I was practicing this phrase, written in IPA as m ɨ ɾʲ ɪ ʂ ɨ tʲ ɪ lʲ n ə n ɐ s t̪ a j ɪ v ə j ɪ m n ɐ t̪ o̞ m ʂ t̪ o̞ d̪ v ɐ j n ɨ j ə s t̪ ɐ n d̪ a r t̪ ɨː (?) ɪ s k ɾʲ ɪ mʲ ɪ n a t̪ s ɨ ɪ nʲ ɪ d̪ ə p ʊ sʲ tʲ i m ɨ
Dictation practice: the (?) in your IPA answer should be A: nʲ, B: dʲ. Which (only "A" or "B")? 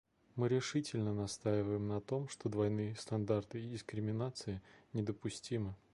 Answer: B